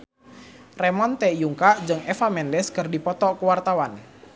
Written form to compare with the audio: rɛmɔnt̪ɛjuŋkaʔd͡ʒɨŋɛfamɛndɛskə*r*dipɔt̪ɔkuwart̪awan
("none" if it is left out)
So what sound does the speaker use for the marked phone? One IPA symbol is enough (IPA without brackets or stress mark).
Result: r